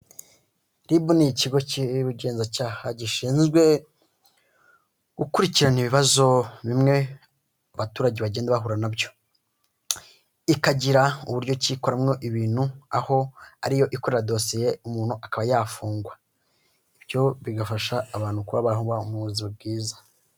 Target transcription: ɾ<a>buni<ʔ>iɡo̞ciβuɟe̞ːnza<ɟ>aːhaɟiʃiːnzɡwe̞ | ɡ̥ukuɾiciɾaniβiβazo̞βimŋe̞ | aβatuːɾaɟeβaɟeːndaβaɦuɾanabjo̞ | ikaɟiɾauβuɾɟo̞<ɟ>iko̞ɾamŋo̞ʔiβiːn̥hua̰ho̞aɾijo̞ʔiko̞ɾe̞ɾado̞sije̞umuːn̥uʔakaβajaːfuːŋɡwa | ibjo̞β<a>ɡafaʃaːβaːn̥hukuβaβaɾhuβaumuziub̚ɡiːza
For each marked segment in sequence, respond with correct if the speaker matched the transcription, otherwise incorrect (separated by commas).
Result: incorrect, incorrect, incorrect, incorrect, incorrect